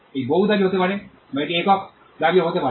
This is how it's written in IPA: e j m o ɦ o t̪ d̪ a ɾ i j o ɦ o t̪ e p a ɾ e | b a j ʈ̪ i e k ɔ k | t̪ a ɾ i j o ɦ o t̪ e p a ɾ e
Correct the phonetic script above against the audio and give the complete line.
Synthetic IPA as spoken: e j b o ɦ u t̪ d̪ a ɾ i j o ɦ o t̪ e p a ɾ e | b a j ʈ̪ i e k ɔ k | d̪ a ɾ i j o ɦ o t̪ e p a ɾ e